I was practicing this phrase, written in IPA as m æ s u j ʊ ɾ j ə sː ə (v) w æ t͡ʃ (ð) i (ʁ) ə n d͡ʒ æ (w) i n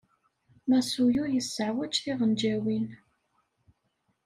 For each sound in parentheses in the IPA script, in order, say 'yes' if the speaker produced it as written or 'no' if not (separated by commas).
no, no, yes, yes